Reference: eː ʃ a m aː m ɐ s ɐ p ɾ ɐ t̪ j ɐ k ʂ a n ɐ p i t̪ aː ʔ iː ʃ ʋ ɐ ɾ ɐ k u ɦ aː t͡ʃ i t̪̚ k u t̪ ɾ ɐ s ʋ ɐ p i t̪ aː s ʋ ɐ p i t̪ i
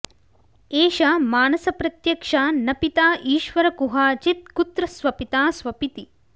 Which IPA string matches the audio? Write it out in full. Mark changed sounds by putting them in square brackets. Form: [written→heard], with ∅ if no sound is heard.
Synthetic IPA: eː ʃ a m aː [m→n] ɐ s ɐ p ɾ ɐ t̪ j ɐ k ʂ a n ɐ p i t̪ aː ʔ iː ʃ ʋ ɐ ɾ ɐ k u ɦ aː t͡ʃ i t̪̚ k u t̪ ɾ ɐ s ʋ ɐ p i t̪ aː s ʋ ɐ p i t̪ i